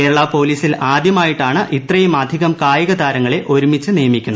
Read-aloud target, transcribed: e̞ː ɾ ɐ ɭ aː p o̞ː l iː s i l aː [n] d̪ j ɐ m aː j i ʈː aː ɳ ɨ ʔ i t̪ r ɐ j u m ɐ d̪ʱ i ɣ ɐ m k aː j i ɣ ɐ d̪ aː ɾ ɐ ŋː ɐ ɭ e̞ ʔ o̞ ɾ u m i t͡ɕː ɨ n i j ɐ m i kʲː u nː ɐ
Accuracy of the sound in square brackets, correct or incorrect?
incorrect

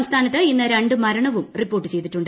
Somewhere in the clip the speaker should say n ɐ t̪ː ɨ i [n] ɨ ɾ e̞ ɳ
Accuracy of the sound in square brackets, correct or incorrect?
incorrect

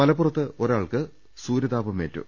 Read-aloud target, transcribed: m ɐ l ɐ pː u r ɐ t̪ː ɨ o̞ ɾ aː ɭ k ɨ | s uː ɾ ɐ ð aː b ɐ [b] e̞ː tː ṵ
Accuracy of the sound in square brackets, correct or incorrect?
incorrect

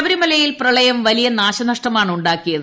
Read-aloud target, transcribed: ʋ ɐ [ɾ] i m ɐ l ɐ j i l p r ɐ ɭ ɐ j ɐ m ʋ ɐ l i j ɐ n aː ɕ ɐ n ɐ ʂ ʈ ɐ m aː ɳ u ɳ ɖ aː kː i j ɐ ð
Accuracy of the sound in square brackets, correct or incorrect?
correct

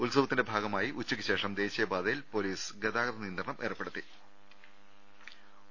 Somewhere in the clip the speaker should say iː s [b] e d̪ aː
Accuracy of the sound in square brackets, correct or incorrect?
incorrect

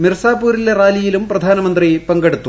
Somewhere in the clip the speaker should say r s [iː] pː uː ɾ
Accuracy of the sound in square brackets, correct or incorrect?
incorrect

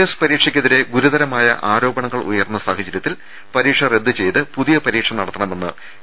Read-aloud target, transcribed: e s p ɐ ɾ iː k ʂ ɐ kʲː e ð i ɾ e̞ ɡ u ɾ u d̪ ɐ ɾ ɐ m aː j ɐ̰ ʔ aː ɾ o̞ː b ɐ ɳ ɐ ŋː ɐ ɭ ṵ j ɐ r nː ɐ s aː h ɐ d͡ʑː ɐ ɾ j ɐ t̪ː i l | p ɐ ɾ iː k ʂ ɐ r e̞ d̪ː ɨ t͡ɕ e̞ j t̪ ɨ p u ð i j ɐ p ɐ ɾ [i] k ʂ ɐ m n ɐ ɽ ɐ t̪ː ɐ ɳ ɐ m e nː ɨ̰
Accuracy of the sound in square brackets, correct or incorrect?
incorrect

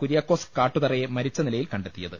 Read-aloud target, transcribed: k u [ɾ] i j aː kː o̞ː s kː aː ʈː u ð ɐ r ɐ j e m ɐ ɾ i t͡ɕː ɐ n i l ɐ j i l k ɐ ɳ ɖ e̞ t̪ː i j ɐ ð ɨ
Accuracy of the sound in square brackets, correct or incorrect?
correct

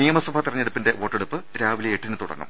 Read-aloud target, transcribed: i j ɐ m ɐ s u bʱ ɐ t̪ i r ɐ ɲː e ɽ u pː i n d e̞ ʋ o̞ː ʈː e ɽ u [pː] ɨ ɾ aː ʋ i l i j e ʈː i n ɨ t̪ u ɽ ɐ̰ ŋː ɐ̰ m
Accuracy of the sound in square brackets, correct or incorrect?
correct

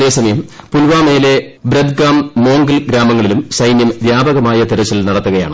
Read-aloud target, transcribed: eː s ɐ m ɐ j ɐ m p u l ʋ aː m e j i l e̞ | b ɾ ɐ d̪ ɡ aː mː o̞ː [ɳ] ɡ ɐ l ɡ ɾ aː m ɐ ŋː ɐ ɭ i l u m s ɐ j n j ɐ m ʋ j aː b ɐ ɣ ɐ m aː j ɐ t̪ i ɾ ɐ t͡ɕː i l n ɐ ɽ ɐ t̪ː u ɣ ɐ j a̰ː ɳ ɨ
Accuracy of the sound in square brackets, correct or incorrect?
incorrect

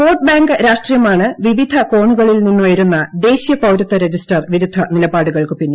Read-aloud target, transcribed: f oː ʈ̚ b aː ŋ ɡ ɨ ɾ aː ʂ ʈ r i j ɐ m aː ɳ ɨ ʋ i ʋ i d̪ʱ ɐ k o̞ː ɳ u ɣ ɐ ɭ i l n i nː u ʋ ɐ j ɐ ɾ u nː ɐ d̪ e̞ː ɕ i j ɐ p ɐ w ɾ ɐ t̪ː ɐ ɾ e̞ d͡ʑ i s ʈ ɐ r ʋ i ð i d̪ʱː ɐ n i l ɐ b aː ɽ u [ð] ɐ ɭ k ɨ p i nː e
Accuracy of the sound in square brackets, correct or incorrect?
incorrect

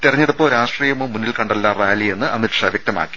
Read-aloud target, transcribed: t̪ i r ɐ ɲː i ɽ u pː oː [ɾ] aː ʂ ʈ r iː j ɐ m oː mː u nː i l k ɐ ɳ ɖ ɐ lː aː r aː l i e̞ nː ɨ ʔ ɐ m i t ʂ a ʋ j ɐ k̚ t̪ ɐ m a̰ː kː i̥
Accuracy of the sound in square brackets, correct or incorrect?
correct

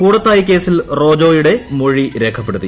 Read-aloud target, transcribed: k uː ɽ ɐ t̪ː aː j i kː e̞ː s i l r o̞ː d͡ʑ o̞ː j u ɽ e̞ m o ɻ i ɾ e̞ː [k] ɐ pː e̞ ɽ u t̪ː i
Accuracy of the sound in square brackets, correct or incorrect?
incorrect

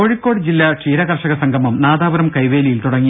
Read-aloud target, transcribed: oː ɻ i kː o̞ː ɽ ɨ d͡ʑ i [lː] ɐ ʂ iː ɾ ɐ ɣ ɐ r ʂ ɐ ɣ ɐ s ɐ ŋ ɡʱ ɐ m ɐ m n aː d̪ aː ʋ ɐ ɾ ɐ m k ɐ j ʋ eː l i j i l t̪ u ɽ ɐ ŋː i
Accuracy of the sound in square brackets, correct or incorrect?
correct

